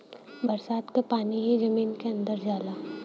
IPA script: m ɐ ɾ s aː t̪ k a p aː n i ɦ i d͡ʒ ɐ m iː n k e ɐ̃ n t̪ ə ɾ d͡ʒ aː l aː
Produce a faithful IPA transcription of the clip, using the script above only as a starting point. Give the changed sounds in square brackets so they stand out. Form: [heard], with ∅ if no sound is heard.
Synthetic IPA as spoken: [b] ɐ ɾ s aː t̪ k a p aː n i ɦ i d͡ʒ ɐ m iː n k e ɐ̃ n [d̪] ə ɾ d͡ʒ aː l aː